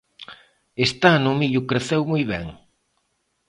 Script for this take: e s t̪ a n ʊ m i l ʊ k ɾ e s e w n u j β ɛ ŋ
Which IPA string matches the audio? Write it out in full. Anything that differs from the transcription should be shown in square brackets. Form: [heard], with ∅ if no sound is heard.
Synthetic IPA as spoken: e s t̪ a n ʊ m i [ʎ] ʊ k ɾ e [θ] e w [m] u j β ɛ ŋ